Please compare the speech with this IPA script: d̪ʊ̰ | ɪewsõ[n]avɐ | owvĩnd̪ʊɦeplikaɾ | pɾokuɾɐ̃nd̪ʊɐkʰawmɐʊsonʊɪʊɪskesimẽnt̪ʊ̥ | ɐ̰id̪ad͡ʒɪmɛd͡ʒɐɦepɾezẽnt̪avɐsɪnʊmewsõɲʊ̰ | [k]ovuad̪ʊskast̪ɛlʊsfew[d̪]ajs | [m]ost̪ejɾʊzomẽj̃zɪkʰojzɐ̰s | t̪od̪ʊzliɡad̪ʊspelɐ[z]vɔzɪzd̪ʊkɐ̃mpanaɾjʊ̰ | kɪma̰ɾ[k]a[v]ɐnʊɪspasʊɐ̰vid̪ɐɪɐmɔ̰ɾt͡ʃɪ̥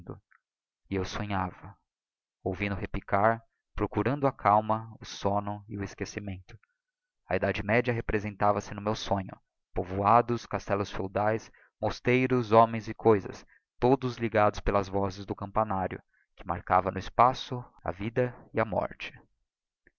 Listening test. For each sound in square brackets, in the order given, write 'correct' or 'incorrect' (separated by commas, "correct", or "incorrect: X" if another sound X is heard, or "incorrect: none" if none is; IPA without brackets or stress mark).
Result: incorrect: ɲ, incorrect: p, correct, correct, correct, correct, correct